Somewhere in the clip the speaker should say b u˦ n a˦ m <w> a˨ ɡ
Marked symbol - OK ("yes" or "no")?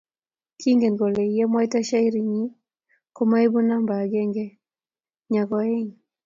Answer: no